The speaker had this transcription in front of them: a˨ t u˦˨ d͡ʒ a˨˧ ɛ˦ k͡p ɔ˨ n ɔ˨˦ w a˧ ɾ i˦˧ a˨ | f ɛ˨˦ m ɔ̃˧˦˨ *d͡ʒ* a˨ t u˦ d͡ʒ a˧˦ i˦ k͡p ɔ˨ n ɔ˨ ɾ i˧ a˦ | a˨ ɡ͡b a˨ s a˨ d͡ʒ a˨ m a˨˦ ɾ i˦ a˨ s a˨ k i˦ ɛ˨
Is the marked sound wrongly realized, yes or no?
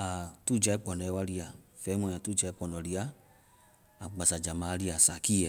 yes